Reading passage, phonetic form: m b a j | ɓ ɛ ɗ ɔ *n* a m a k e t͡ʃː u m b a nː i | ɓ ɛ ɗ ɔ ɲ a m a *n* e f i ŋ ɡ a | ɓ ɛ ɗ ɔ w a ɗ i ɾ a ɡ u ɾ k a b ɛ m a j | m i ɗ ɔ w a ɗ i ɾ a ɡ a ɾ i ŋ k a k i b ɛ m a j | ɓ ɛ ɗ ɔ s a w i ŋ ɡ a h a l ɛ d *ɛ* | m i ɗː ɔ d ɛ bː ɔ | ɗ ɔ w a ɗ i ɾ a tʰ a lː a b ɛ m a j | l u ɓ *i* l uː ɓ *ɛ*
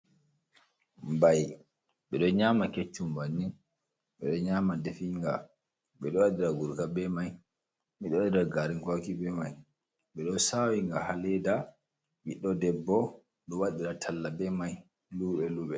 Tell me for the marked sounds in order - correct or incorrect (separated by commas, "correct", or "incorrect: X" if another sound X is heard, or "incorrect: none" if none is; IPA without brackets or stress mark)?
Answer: incorrect: ɲ, incorrect: d, incorrect: a, incorrect: ɛ, correct